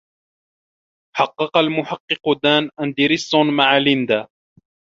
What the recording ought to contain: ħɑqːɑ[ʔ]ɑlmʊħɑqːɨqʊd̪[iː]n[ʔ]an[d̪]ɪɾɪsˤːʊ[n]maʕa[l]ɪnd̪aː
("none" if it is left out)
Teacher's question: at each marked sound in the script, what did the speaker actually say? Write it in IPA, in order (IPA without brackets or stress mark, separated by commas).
q, aː, ʔ, d̪, n, l